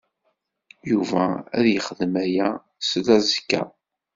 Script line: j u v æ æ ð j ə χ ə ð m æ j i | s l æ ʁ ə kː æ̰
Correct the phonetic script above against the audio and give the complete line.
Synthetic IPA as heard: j u v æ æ ð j ə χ ə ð m æ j æ | s l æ z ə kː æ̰